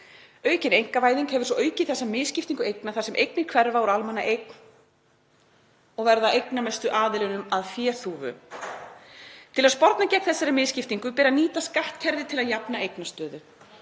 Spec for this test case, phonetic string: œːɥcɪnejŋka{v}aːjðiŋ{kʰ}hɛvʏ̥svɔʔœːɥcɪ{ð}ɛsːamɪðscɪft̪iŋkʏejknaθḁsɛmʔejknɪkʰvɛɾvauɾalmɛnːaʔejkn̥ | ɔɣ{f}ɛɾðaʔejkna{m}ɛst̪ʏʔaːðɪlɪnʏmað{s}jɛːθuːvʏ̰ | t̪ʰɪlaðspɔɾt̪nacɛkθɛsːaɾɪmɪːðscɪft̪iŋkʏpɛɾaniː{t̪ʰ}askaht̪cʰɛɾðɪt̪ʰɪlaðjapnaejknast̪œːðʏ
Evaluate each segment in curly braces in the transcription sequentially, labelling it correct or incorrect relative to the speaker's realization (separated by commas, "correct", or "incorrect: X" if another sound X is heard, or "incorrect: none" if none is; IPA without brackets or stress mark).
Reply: correct, incorrect: k, incorrect: θ, incorrect: v, correct, incorrect: f, incorrect: t̪